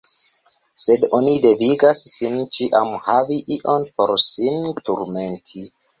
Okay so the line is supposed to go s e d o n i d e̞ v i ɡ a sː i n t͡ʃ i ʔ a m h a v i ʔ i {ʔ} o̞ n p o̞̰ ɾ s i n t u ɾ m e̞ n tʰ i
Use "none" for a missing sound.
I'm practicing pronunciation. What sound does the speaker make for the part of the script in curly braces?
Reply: ʔ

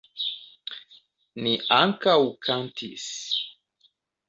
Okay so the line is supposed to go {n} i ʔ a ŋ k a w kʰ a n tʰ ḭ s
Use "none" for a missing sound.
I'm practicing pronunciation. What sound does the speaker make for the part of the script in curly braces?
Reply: n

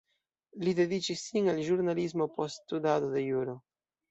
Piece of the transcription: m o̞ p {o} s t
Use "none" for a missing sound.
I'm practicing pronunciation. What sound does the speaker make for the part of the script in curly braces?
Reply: o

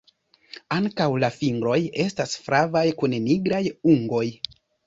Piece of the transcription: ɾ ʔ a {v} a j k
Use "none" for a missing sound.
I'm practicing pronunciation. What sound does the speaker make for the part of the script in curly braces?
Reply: v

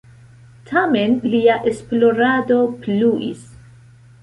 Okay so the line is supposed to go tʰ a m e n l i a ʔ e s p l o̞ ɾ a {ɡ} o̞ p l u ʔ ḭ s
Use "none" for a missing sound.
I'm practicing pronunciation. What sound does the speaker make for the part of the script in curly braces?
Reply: d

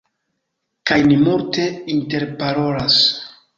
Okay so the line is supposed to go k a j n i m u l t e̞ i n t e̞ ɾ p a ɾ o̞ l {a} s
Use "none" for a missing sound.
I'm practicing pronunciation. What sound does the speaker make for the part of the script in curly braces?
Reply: a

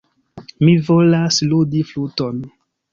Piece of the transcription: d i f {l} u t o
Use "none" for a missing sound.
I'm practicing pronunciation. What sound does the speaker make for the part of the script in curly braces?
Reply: l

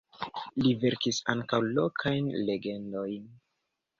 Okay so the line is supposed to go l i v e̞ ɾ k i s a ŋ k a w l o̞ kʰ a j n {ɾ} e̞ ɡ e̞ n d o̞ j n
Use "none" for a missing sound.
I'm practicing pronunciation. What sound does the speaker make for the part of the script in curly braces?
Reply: l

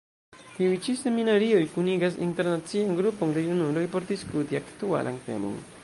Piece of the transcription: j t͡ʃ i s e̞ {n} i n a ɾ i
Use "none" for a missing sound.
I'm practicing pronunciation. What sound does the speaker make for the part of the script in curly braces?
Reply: m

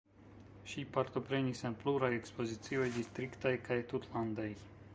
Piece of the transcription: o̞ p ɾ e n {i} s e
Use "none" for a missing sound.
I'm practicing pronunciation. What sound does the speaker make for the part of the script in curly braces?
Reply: i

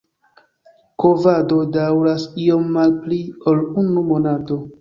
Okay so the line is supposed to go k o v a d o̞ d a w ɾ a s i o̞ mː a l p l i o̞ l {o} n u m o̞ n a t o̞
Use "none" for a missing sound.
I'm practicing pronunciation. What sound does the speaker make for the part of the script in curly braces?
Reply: u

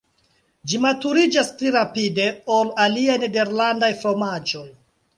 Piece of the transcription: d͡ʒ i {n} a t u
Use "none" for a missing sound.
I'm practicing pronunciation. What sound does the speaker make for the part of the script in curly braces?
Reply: m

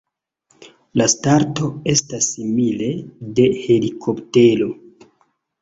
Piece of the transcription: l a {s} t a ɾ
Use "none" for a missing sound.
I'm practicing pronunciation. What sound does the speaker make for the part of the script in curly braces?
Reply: s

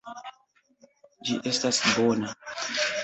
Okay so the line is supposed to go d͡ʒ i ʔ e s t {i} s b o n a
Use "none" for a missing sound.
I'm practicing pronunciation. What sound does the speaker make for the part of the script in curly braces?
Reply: a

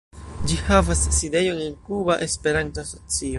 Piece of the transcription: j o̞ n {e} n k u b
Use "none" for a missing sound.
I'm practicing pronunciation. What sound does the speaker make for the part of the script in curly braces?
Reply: e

